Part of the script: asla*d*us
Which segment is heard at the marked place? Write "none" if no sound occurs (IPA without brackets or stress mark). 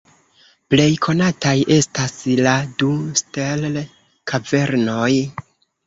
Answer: d